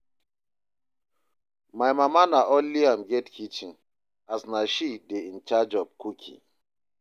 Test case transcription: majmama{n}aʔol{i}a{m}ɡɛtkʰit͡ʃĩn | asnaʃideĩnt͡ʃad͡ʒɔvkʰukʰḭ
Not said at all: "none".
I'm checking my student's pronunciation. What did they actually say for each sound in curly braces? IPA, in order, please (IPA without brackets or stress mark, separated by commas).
n, i, m